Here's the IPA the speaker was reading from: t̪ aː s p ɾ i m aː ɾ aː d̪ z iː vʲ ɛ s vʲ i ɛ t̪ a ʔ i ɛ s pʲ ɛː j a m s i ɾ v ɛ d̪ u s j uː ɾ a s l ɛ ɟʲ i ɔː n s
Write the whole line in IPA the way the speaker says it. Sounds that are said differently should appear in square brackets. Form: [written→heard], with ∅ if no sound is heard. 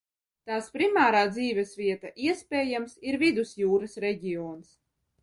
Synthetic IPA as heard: t̪ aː s p ɾ i m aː ɾ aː d̪ z iː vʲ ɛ s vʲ i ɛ t̪ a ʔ i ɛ s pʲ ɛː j a m s i ɾ v [ɛ→i] d̪ u s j uː ɾ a s [l→ɾ] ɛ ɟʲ i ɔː n s

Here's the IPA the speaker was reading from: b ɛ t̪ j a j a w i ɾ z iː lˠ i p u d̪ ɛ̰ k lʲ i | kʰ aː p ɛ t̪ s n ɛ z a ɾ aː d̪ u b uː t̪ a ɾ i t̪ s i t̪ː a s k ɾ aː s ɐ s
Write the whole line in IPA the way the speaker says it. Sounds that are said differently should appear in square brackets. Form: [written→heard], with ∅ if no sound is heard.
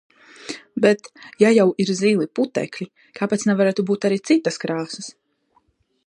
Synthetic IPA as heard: b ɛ t̪ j a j a w i ɾ z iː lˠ i p u [d̪→t̪] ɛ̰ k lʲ i | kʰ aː p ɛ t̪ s n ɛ [z→v] a ɾ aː [d̪→t̪] u b uː t̪ a ɾ i t̪ s i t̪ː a s k ɾ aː s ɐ s

